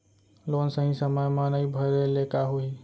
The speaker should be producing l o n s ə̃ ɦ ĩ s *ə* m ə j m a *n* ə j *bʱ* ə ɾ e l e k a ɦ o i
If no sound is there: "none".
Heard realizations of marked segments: ə, n, bʱ

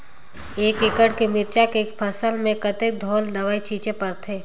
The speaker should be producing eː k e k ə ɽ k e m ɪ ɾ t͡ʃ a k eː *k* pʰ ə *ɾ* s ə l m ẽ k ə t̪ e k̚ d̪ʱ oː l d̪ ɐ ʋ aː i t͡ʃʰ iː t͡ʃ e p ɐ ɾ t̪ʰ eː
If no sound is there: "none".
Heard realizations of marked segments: k, none

